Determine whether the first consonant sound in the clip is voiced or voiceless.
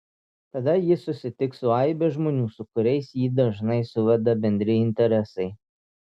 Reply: voiceless